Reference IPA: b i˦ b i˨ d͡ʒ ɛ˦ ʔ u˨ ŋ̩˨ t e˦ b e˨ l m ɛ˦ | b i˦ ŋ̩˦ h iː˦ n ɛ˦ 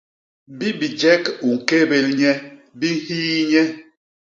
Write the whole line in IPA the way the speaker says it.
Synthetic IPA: b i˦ b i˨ d͡ʒ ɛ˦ k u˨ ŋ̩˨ k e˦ b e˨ l ɲ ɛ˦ | b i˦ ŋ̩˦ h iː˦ ɲ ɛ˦